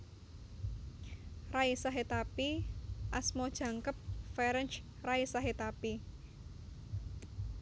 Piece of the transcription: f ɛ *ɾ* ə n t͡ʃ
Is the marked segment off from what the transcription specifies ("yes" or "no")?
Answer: no